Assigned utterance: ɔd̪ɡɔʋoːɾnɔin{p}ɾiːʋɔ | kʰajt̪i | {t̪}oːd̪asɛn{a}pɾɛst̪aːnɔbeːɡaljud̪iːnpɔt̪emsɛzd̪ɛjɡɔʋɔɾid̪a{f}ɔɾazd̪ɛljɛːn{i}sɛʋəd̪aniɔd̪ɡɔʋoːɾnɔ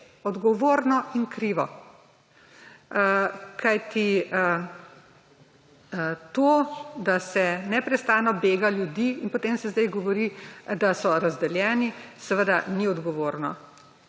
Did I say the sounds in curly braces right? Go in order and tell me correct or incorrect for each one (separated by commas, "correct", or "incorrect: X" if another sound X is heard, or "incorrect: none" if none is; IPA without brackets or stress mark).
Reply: incorrect: k, correct, incorrect: ɛ, incorrect: s, correct